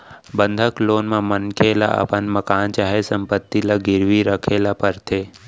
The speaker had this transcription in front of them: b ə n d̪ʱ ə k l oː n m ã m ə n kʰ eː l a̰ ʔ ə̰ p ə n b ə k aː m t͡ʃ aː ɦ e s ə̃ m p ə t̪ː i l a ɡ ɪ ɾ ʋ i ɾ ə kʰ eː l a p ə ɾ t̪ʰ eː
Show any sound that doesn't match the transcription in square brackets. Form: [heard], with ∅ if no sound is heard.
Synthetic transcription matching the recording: b ə n d̪ʱ ə k l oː n m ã m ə n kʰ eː l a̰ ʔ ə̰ p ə n [m] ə k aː [n] t͡ʃ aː ɦ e s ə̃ m p ə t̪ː i l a ɡ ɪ ɾ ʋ i ɾ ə kʰ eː l a p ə ɾ t̪ʰ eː